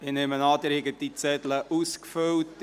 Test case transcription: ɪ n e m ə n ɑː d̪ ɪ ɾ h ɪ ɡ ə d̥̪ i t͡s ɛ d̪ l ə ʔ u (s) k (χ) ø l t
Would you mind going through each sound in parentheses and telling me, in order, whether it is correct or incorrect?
correct, incorrect: f

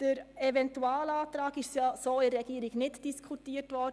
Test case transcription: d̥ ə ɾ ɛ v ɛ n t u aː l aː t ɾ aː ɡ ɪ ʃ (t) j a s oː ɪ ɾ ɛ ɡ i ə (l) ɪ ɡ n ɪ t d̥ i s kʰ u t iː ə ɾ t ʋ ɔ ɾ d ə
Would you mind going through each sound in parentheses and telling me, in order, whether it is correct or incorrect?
incorrect: s, incorrect: ɾ

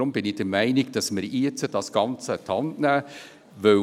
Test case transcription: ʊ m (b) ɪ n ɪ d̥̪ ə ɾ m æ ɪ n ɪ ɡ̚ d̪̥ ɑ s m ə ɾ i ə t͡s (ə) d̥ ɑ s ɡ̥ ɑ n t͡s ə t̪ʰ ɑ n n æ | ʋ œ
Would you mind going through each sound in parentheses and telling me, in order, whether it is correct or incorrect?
correct, correct

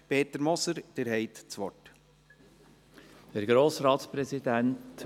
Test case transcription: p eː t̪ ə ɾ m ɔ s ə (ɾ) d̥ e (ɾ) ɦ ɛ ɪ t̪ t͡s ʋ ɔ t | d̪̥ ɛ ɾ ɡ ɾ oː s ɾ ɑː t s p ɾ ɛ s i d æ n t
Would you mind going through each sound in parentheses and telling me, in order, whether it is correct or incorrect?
correct, correct

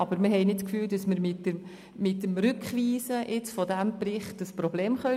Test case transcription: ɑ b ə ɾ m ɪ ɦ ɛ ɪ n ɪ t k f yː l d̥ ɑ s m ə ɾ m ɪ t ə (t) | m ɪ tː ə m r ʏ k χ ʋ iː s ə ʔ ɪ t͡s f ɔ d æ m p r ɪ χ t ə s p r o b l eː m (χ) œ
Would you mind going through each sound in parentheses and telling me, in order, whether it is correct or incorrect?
incorrect: none, correct

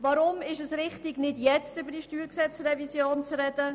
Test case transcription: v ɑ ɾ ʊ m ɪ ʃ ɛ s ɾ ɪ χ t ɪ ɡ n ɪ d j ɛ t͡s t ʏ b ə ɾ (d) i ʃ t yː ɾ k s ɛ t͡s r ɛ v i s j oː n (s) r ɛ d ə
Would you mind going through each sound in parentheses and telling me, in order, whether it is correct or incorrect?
correct, incorrect: t͡s

